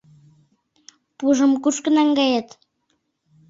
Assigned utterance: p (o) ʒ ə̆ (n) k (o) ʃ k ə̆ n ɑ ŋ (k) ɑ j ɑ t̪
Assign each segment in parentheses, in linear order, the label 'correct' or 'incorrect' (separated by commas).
incorrect, incorrect, incorrect, incorrect